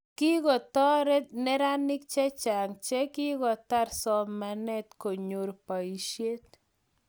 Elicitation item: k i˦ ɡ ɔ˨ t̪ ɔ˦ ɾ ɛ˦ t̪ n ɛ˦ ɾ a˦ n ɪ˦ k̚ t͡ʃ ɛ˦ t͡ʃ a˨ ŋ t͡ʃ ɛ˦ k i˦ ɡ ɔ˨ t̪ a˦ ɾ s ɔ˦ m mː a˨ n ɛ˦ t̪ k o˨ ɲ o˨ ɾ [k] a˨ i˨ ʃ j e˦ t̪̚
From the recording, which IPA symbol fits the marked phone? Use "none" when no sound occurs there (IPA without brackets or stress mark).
p